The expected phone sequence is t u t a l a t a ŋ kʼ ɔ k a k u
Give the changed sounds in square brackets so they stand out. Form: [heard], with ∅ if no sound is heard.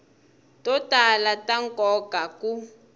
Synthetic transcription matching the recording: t [ɔ] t a l a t a ŋ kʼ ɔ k a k u